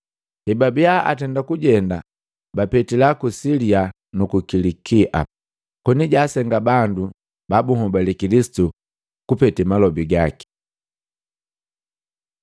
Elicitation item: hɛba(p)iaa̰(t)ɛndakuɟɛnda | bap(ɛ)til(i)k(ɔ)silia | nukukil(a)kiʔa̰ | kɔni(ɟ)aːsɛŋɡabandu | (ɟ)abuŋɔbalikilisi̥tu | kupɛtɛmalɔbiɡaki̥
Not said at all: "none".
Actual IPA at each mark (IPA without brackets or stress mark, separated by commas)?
b, t, ɛ, a, u, i, ɟ, b